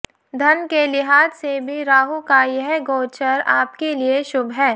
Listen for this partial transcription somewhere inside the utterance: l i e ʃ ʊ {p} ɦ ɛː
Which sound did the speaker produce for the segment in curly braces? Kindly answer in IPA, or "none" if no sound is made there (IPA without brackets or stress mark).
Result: b